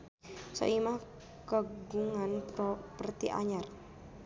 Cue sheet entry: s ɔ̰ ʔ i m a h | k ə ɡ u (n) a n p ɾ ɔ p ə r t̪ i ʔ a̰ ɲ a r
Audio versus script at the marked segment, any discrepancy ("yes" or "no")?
yes